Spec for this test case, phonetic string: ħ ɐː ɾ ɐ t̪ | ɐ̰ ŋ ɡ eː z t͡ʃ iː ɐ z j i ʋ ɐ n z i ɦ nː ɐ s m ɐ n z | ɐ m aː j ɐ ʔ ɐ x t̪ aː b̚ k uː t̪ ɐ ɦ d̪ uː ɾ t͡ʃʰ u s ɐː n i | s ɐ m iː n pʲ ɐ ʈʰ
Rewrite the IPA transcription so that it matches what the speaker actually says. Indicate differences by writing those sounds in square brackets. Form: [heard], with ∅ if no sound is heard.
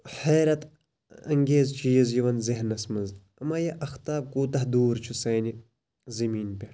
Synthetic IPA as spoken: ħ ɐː ɾ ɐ t̪ | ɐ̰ ŋ ɡ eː z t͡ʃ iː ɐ z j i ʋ ɐ n z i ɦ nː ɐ s m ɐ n z | ɐ m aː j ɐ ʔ ɐ x t̪ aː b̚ k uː t̪ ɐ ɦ d̪ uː ɾ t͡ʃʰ u s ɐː n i | [z] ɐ m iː n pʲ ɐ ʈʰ